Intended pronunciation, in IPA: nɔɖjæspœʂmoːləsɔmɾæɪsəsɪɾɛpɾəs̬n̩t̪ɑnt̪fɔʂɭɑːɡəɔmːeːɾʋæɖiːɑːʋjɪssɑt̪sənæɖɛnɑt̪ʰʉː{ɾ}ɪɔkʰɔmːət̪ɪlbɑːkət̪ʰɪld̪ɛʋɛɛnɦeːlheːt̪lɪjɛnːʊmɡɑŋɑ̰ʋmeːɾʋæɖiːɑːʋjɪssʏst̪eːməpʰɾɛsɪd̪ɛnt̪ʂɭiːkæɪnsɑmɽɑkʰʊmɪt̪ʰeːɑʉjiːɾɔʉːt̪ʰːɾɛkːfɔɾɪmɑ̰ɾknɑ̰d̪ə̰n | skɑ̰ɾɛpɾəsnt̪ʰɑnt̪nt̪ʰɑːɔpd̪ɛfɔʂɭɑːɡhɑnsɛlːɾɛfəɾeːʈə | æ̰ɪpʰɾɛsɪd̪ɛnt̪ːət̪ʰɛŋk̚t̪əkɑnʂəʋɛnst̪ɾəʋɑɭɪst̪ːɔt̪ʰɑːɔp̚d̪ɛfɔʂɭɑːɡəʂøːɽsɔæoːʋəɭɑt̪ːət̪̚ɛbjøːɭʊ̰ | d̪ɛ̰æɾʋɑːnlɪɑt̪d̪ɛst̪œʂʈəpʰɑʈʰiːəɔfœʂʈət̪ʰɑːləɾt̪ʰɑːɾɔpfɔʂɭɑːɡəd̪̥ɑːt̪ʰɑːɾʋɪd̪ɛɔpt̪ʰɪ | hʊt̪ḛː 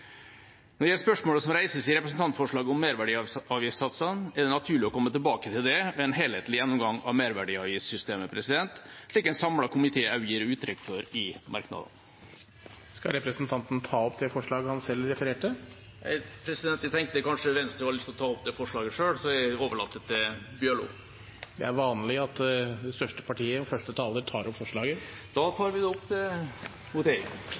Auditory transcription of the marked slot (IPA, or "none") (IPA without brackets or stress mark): ɭ